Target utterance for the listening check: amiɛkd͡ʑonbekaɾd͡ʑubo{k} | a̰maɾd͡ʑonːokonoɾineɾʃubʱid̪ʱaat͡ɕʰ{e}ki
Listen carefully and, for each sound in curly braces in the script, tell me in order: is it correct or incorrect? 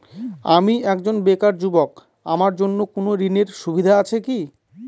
correct, correct

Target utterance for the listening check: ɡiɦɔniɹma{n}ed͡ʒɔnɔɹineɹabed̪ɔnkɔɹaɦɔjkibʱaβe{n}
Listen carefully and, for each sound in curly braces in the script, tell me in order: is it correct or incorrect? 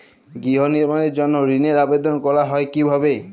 correct, incorrect: none

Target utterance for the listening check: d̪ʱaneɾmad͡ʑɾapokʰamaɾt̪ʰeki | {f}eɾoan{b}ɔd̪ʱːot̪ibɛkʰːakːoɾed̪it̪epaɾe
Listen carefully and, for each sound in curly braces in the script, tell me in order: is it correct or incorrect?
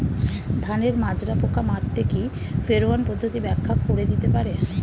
correct, incorrect: p

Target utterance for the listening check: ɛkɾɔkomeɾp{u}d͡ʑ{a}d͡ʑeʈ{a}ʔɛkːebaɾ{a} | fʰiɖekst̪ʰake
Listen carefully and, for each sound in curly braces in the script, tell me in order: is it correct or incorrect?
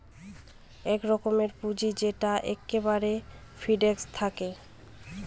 correct, incorrect: i, correct, incorrect: e

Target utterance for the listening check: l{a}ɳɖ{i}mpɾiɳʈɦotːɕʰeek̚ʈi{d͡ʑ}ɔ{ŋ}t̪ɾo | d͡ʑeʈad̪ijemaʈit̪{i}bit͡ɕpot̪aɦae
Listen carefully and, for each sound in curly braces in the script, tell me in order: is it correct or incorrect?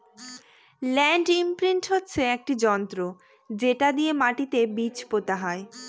incorrect: ɛ, correct, correct, incorrect: n, incorrect: e

